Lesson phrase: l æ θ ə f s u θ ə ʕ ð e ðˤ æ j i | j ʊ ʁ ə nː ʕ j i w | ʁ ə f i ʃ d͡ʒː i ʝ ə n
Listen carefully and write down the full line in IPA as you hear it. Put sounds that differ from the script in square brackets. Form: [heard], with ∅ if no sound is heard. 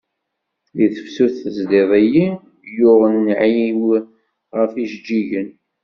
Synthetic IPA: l [i] θ ə f s u θ ə [z] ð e ðˤ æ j i | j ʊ ʁ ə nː ʕ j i w | ʁ ə f i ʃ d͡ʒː i ʝ ə n

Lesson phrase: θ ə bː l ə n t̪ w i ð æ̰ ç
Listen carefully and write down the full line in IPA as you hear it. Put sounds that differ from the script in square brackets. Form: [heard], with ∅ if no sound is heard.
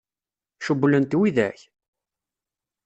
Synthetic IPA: [ʃ] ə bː l ə n t̪ w i ð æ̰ ç

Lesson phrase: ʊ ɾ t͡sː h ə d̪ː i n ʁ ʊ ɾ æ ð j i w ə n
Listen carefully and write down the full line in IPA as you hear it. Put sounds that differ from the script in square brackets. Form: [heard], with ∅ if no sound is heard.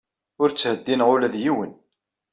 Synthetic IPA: ʊ ɾ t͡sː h ə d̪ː i n ʁ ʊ [l] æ ð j i w ə n

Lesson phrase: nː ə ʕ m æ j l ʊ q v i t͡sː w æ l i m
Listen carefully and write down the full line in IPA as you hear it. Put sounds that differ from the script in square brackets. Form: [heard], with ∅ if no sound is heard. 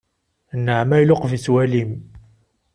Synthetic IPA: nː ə ʕ m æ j l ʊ q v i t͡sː w æ l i m

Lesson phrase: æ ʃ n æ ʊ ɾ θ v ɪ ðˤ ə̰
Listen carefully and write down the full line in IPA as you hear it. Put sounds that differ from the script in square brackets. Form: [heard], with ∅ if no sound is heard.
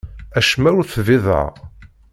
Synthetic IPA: æ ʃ [m] æ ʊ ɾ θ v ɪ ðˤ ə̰

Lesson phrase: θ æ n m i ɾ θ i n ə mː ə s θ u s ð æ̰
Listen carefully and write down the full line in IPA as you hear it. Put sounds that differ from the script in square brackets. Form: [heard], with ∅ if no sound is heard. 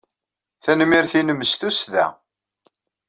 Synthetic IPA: θ æ n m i ɾ θ i n ə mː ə s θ u s ð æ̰

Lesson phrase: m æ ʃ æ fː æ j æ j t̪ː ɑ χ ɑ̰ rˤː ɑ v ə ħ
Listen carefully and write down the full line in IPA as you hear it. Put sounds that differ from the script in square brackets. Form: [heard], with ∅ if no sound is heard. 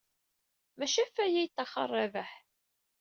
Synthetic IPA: m æ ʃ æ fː æ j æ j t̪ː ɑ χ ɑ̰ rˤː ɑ v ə ħ

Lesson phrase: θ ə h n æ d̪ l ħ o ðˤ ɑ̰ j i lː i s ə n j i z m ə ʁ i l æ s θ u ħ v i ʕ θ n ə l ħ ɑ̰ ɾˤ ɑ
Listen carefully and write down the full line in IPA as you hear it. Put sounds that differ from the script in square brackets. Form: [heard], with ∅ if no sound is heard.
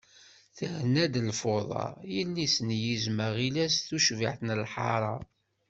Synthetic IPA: θ ə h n æ d̪ l [f] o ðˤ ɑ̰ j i lː i s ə n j i z m ə ʁ i l æ s θ u [ʃ] v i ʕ θ n ə l ħ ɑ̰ ɾˤ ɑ

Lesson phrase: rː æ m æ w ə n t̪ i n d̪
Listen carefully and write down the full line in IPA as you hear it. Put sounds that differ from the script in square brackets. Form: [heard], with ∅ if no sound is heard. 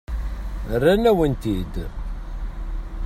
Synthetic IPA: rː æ [n] æ w ə n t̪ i [∅] d̪

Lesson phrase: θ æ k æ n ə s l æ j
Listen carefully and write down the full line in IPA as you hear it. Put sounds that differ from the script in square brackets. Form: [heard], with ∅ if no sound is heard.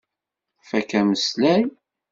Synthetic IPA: [f] æ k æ [m] ə s l æ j

